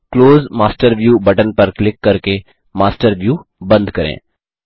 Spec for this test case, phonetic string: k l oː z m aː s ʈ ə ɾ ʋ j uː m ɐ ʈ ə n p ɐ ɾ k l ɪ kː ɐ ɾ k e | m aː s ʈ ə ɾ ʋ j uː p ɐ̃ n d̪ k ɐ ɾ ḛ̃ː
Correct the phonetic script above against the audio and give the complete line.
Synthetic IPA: k l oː z m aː s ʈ ə ɾ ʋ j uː b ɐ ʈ ə n p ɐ ɾ k l ɪ kː ɐ ɾ k e | m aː s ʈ ə ɾ ʋ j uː b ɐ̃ n d̪ k ɐ ɾ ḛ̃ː